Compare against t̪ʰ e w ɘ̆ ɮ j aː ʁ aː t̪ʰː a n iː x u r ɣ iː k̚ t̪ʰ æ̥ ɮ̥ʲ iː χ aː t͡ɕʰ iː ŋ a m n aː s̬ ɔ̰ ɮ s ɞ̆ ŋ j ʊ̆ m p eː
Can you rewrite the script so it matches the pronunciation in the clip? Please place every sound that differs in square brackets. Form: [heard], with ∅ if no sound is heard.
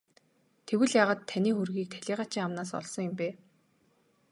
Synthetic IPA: t̪ʰ e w ɘ̆ ɮ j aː ʁ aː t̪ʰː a n iː x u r ɣ iː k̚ t̪ʰ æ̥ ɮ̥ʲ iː [ʁ] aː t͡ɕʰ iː ŋ a m n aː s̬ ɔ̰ ɮ s ɞ̆ ŋ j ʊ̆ m p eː